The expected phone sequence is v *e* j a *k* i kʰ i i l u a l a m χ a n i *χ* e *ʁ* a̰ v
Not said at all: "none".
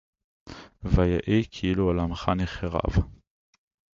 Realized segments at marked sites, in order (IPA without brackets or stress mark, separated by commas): a, ʔ, χ, ʁ